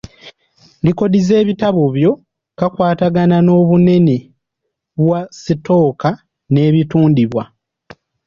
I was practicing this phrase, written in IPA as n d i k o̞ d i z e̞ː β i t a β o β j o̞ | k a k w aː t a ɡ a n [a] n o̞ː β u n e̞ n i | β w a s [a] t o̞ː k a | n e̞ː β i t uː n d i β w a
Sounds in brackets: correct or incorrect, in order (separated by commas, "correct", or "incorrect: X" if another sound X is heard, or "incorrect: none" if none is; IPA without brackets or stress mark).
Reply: correct, incorrect: i